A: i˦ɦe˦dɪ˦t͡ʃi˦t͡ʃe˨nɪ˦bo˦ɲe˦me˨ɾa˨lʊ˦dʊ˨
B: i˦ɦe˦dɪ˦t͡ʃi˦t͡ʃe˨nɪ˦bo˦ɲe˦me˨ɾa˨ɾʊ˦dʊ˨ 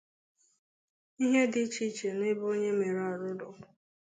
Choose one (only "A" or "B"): B